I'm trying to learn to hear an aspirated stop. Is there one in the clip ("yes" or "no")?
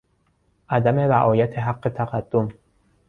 yes